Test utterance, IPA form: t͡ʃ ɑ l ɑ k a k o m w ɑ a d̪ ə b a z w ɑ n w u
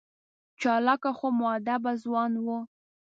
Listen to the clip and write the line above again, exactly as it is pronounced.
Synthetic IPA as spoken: t͡ʃ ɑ l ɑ k a x o m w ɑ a d̪ a b a z w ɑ n w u